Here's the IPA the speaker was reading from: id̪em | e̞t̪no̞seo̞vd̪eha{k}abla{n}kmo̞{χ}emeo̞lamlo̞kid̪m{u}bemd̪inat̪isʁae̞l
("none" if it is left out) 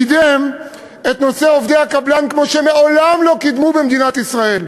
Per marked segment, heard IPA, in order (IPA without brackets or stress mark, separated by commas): k, n, ʃ, u